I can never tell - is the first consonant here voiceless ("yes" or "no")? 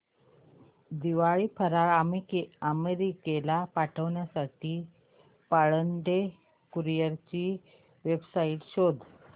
no